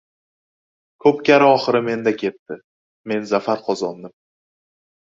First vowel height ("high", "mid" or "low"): mid